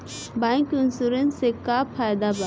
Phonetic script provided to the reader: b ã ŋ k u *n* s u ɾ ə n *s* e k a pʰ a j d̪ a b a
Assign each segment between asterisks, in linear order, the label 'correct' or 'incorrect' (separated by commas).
correct, correct